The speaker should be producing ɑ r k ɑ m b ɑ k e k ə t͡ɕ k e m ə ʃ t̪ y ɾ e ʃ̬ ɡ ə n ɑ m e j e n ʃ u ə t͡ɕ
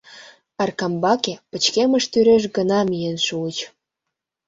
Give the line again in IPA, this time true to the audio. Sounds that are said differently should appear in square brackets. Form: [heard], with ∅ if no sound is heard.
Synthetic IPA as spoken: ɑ r k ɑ m b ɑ k e [p] ə t͡ɕ k e m ə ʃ t̪ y ɾ e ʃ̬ ɡ ə n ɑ m [i] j e n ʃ u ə t͡ɕ